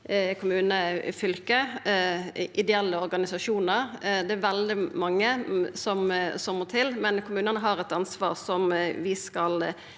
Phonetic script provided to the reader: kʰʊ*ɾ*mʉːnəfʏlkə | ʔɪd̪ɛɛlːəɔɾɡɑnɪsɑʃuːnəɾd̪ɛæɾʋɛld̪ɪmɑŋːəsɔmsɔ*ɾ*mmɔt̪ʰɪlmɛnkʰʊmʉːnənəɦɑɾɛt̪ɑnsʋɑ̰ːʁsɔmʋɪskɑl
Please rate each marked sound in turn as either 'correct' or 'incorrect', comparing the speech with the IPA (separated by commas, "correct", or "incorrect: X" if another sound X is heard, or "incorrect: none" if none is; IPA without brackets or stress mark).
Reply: incorrect: none, incorrect: none